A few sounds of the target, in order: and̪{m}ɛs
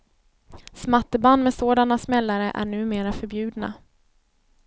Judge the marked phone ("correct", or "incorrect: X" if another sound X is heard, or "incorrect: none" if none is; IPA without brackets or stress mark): correct